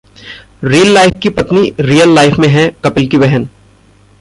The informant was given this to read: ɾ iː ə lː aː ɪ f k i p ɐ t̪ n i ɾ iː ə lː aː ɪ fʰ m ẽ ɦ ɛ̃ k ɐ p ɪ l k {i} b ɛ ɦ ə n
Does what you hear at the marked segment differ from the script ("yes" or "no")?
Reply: no